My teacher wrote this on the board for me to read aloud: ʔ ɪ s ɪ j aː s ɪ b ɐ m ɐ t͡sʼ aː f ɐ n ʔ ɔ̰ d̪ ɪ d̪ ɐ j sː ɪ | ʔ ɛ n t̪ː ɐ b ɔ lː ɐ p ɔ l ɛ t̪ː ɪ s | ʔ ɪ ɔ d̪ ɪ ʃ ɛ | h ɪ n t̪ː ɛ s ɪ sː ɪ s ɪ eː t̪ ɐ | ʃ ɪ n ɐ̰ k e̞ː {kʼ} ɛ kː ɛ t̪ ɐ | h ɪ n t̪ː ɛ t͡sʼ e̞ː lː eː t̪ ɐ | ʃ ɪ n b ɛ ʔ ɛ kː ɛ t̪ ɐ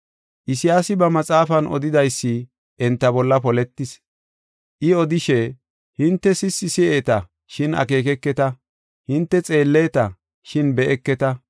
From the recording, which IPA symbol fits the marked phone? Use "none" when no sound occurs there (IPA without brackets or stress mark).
k